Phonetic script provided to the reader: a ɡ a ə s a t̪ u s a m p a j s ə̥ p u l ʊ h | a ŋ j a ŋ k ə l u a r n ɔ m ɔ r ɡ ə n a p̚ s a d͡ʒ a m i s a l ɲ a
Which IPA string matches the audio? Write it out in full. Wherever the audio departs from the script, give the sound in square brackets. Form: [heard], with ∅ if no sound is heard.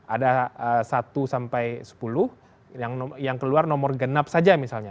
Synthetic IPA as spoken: a [d] a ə s a t̪ u s a m p a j s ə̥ p u l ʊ h | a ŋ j a ŋ k ə l u a r n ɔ m ɔ r ɡ ə n a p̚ s a d͡ʒ a m i s a l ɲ a

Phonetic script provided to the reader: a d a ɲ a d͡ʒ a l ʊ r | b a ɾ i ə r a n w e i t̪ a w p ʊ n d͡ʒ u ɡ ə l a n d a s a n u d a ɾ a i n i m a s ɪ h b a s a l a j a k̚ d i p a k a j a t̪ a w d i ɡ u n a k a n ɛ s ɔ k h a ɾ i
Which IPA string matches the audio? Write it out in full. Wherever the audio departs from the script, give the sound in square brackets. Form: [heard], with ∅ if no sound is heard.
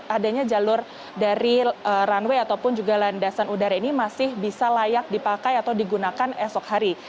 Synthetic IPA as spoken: a d a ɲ a d͡ʒ a l ʊ r | [d] a ɾ i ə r a n w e [a] t̪ a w p ʊ n d͡ʒ u ɡ [a] l a n d a s a n u d a ɾ a i n i m a s ɪ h b [i] s a l a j a k̚ d i p a k a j a t̪ a w d i ɡ u n a k a n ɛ s ɔ k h a ɾ i

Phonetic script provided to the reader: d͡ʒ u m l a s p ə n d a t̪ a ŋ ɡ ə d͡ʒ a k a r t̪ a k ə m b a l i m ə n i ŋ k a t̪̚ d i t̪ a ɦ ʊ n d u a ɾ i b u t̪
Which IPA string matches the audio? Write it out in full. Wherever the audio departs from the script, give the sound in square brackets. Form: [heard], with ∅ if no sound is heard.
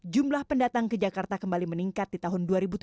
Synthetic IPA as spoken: d͡ʒ u m l a [h] p ə n d a t̪ a ŋ [k] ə d͡ʒ a k a r t̪ a k ə m b a l i m ə n i ŋ k a t̪̚ d i t̪ a ɦ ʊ n d u a ɾ i b u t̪

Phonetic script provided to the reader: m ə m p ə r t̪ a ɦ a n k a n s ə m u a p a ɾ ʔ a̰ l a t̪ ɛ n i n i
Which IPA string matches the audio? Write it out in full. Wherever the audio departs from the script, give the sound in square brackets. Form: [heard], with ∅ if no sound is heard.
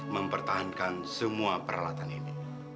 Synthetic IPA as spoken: m ə m p ə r t̪ a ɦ a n k a n s ə m u a p [ə] ɾ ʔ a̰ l a t̪ [a] n i n i

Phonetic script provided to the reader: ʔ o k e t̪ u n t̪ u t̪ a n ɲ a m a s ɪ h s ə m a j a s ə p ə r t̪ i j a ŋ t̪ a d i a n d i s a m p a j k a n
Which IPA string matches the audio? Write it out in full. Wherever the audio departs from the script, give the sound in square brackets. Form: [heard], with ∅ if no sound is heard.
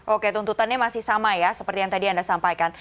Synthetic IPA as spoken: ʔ o k e t̪ u n t̪ u t̪ a n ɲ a m a s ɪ h s [a] m a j a s ə p ə r t̪ i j a ŋ t̪ a d i a n d [a] s a m p a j k a n

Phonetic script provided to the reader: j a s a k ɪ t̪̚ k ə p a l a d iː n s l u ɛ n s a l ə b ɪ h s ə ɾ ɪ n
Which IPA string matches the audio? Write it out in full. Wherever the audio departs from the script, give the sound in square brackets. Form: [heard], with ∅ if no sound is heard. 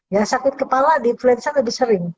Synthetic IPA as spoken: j a s a k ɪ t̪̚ k ə p a l a d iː n [f] l u ɛ n s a l ə b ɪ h s ə ɾ ɪ [ŋ]

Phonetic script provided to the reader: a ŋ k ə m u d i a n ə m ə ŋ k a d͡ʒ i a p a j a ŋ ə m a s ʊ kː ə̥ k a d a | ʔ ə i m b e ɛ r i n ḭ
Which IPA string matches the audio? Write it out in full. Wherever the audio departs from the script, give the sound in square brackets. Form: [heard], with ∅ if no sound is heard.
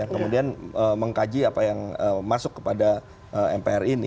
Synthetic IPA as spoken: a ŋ k ə m u d i a n ə m ə ŋ k a d͡ʒ i a p a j a ŋ ə m a s ʊ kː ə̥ [p] a d a | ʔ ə [ɛ] m [p] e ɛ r i n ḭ

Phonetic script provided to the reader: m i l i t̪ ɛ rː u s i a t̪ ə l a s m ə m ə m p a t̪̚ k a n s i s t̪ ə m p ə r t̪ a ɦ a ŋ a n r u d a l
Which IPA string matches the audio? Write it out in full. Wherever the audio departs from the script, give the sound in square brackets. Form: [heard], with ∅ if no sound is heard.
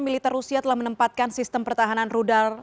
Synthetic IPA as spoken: m i l i t̪ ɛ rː u s i a t̪ ə l a [h] m ə [n] ə m p a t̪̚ k a n s i s t̪ ə m p ə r t̪ a ɦ a [n] a n r u d a l

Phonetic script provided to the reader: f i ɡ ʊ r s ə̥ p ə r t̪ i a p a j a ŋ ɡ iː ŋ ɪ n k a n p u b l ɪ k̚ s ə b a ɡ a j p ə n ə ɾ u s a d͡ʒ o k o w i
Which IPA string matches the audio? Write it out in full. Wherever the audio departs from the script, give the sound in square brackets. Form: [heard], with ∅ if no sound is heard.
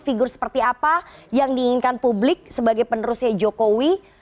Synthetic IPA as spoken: f i ɡ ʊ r s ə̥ p ə r t̪ i a p a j a ŋ [d] iː ŋ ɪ n k a n p u b l ɪ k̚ s ə b a ɡ a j p ə n ə ɾ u s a d͡ʒ o k o w i

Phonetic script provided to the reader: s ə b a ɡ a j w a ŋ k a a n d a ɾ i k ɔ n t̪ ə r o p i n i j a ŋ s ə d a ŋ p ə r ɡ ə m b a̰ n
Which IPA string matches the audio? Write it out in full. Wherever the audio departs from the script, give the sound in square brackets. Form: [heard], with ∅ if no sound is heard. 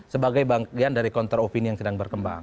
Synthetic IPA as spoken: s ə b a ɡ a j [b] a ŋ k [i] a n d a ɾ i k ɔ n t̪ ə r o p i n i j a ŋ s ə d a ŋ [b] ə r [k] ə m b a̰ [ŋ]

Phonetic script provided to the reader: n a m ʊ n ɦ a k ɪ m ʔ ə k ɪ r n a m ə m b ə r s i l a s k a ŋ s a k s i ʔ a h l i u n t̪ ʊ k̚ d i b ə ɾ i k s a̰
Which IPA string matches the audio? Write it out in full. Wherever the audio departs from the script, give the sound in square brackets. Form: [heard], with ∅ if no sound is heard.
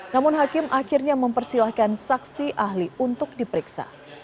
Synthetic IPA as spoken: n a m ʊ n ɦ a k ɪ m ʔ [a] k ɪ r [ɲ] a m ə m [p] ə r s i l a [h] k a [n] s a k s i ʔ a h l i u n t̪ ʊ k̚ d i [p] ə ɾ i k s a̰

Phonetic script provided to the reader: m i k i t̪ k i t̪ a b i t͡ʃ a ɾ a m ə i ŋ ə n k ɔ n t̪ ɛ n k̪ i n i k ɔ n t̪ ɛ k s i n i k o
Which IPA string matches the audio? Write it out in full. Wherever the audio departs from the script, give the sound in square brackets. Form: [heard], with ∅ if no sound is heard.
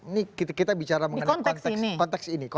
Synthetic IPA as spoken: [n] i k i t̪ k i t̪ a b i t͡ʃ a ɾ a m ə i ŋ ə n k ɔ n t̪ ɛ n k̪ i n i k ɔ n t̪ ɛ k s i n i k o

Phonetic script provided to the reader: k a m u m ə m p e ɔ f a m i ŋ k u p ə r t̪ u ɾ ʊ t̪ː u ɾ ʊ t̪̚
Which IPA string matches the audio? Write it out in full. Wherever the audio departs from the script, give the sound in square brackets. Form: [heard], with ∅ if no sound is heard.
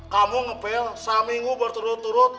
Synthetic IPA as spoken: k a m u [ŋ] ə [∅] p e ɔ [s] a m i ŋ [ɡ] u [b] ə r t̪ u ɾ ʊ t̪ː u ɾ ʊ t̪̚

